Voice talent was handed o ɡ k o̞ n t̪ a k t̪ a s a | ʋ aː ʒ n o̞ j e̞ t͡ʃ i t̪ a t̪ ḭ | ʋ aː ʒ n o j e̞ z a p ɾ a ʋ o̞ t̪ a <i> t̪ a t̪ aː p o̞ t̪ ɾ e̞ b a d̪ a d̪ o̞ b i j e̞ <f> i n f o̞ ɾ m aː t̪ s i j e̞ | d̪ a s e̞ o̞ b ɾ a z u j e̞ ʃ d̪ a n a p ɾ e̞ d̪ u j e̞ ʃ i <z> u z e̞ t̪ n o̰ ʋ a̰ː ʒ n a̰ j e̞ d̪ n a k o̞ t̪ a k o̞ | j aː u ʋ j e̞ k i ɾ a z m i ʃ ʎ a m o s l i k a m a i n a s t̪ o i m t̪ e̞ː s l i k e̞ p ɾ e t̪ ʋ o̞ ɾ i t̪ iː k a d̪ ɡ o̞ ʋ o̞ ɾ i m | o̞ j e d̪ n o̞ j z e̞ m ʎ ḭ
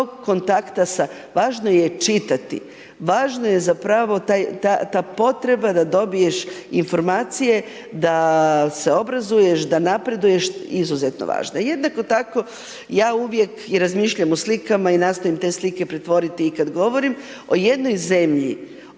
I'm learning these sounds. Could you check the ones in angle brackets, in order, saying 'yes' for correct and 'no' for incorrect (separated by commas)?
no, no, yes